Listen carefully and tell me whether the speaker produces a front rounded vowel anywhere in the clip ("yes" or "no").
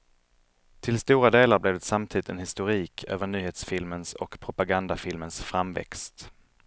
yes